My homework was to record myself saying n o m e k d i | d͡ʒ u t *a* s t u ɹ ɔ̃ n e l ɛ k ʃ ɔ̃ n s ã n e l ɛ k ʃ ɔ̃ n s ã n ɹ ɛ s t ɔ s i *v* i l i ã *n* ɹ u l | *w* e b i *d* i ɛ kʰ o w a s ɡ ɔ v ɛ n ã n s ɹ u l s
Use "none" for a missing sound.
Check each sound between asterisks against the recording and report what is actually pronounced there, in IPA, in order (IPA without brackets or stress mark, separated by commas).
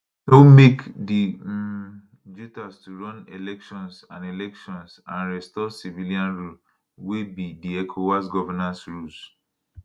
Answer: a, v, n, w, d